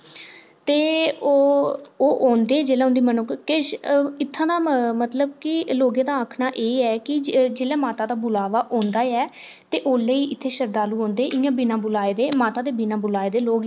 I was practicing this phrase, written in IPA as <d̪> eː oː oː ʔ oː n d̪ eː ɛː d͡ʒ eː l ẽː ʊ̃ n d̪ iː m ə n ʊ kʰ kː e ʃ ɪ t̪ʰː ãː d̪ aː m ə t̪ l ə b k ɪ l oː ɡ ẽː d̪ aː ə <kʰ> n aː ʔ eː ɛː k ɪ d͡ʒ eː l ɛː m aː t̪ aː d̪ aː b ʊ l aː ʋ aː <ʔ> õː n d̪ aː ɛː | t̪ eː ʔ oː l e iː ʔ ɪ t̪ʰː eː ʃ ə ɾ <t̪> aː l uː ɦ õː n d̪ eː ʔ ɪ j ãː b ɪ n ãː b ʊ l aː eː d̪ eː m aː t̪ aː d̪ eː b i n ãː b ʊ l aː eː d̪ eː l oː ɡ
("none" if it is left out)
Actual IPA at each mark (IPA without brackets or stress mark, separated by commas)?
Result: t̪, kʰ, ʔ, d̪